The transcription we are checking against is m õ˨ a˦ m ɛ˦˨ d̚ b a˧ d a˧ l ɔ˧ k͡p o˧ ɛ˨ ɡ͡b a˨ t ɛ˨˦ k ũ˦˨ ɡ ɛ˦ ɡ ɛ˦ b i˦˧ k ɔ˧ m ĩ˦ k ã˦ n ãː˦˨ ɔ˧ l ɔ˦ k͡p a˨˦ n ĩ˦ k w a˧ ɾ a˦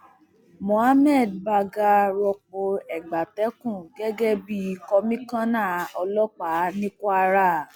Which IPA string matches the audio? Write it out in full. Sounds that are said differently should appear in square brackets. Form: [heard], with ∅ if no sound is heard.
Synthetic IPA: m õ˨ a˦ m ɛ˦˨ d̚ b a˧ [ɡ] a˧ [ɾ] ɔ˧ k͡p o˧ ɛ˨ ɡ͡b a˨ t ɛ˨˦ k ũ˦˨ ɡ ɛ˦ ɡ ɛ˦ b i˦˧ k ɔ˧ m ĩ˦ k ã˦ n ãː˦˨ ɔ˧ l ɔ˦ k͡p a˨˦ n ĩ˦ k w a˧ ɾ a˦